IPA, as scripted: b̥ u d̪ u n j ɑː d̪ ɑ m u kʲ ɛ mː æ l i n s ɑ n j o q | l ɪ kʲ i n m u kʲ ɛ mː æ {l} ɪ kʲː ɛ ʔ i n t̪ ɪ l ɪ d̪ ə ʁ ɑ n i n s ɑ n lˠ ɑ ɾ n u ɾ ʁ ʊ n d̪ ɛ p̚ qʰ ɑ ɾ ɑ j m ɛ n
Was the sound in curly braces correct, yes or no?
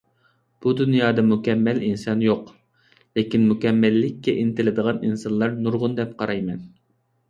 no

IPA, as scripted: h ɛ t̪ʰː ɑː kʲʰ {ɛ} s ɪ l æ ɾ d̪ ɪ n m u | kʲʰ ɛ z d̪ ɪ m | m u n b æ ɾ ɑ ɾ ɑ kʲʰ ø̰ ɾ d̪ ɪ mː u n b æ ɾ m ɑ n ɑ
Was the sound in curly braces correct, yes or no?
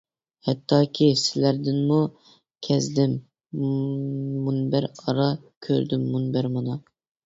no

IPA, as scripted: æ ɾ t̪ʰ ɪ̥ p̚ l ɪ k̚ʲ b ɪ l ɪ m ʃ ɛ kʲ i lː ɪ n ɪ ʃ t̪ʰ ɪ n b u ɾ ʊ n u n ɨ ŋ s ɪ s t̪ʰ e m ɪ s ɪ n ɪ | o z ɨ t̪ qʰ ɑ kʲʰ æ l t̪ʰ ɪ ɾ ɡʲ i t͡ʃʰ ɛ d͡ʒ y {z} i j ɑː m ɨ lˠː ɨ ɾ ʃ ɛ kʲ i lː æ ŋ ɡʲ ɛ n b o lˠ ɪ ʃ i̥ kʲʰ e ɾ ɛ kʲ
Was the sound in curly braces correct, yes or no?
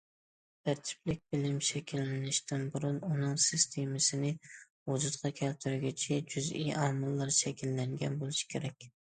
yes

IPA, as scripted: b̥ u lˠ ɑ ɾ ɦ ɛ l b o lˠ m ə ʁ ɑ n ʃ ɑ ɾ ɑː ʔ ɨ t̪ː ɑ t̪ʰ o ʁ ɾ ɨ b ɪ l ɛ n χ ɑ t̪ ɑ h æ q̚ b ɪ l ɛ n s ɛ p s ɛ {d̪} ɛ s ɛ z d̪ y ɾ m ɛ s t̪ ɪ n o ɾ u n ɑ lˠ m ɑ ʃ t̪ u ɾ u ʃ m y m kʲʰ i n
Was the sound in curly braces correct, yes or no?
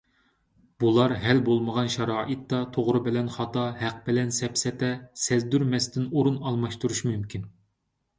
no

